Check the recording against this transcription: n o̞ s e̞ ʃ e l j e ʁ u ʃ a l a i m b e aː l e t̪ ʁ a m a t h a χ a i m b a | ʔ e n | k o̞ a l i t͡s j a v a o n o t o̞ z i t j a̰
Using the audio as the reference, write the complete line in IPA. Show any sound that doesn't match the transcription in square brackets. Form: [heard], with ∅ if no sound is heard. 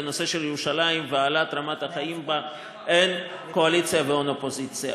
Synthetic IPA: n o̞ s e̞ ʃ e l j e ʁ u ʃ a l a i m [v] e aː l [a] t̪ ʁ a m a t h a χ a i m b a | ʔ e n | k o̞ a l i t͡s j a v [e] o n o [p] o̞ z i [t͡s] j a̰